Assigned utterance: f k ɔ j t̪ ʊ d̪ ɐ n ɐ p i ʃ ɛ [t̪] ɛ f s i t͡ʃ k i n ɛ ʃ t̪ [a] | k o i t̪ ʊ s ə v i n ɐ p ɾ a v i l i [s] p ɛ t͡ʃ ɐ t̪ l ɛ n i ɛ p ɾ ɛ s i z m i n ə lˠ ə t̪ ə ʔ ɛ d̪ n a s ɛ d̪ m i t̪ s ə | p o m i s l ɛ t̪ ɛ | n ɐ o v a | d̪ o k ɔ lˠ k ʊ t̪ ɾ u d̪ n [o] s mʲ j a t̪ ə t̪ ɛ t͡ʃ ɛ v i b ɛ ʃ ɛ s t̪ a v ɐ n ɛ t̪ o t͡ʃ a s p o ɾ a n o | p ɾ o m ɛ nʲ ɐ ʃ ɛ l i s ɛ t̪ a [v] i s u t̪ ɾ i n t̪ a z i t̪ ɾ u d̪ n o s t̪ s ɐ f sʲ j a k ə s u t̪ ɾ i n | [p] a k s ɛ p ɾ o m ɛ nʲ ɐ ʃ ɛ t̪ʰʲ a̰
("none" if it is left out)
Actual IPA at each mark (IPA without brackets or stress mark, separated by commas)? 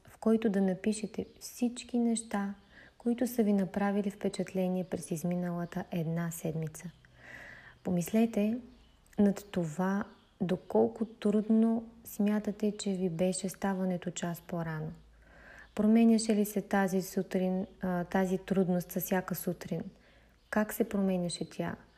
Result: t̪, a, f, o, z, k